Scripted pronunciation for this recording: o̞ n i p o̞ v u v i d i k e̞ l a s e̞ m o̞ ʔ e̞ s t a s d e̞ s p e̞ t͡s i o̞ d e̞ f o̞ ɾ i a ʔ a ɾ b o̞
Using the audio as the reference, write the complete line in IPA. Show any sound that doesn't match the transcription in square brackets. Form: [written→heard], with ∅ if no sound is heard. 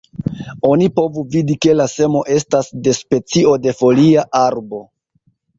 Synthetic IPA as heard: o̞ n i p o̞ v u v i d i k e̞ l a s e̞ m o̞ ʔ e̞ s t a s d e̞ s p e̞ t͡s i o̞ d e̞ f o̞ [ɾ→l] i a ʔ a ɾ b o̞